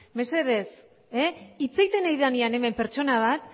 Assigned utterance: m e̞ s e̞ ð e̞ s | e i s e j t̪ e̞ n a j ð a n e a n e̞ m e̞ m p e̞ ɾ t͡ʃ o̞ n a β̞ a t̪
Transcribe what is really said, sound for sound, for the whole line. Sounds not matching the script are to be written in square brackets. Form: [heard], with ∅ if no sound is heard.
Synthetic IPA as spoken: m e̞ s e̞ ð e̞ s | e i [t͡s] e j t̪ e̞ n a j ð a n [i] a n e̞ m e̞ m p e̞ ɾ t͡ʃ o̞ n a β̞ a t̪